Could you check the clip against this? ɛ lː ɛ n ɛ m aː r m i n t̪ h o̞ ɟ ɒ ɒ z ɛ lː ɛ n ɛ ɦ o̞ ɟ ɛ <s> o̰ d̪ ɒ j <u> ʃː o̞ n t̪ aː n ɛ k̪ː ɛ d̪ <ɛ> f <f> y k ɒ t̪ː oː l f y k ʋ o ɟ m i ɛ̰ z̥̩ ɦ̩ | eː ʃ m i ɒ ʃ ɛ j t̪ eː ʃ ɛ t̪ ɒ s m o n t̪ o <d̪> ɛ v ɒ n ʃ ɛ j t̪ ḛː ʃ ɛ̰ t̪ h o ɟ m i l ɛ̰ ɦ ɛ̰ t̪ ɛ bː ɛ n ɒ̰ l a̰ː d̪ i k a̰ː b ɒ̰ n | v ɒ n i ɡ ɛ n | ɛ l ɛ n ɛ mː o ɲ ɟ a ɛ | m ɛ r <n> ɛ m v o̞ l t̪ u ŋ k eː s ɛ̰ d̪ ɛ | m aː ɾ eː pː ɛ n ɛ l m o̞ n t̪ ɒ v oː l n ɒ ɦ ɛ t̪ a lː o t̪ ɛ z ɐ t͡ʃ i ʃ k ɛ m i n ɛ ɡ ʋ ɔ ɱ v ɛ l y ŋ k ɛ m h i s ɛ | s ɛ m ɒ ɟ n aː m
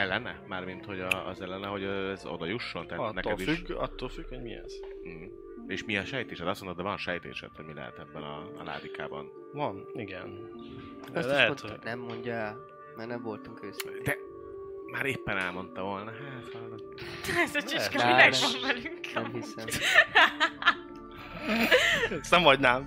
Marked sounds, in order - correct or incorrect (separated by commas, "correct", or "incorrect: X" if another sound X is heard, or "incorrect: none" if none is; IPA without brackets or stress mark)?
incorrect: z, correct, incorrect: i, incorrect: ʃ, correct, correct